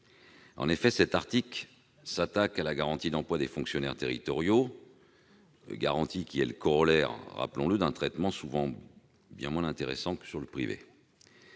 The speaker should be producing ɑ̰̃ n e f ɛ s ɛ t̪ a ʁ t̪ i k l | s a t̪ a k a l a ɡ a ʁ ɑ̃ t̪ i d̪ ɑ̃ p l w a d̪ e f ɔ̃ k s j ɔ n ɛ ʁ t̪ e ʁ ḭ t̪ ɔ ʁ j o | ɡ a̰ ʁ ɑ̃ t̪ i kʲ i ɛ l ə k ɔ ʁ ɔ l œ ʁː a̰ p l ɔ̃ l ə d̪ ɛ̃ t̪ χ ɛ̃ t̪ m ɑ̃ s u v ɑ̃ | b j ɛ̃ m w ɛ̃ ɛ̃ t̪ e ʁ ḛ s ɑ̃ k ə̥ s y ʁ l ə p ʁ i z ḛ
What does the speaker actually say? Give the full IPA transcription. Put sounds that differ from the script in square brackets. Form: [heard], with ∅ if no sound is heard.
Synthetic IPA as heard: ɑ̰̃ n e f ɛ s ɛ t̪ a ʁ t̪ i k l | s a t̪ a k a l a ɡ a ʁ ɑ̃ t̪ i d̪ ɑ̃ p l w a d̪ e f ɔ̃ k s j ɔ n ɛ ʁ t̪ e ʁ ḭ t̪ ɔ ʁ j o | ɡ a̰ ʁ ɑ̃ t̪ i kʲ i ɛ l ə k ɔ ʁ ɔ l [ɛ] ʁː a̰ p l ɔ̃ l ə d̪ ɛ̃ t̪ χ [ɛ] t̪ m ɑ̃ s u v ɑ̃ | b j ɛ̃ m w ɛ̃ ɛ̃ t̪ e ʁ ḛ s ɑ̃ k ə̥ s y ʁ l ə p [χ] i [v] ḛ